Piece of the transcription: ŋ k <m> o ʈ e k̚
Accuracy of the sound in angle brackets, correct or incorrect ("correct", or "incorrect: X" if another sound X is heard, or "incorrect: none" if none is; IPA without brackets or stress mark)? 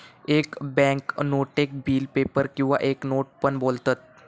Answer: incorrect: n